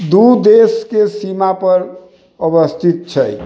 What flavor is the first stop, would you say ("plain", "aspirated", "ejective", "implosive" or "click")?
plain